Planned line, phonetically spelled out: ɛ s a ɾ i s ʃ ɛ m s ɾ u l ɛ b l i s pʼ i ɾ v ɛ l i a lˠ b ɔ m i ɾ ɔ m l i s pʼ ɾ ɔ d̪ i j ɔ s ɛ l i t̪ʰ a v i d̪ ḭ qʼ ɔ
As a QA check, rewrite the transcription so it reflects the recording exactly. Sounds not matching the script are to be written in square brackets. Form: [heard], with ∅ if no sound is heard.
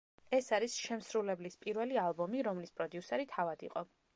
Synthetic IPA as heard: ɛ s a ɾ i s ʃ ɛ m s ɾ u l ɛ b l i s pʼ i ɾ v ɛ l i a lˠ b ɔ m i ɾ ɔ m l i s pʼ ɾ ɔ d̪ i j [u] s ɛ [ɾ] i t̪ʰ a v [a] d̪ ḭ qʼ ɔ